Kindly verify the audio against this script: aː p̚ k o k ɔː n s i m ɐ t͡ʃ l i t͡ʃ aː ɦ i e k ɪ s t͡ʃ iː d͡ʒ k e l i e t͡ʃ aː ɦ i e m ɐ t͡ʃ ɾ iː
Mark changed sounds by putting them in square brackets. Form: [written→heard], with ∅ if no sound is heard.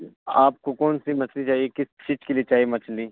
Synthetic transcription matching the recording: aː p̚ k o k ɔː n s i m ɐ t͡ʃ l i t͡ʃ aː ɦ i e k ɪ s t͡ʃ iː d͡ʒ k e l i e t͡ʃ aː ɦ i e m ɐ t͡ʃ [ɾ→l] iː